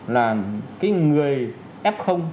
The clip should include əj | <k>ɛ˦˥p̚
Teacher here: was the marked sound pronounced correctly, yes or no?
no